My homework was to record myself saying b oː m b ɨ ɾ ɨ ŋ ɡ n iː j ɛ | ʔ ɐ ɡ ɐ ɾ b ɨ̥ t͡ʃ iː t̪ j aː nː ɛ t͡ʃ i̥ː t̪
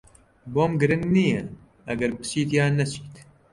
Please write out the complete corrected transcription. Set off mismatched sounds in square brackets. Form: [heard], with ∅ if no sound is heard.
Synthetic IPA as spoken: b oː m [ɡ] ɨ ɾ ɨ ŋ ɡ n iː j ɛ | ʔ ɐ ɡ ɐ ɾ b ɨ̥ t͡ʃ iː t̪ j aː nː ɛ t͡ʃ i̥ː t̪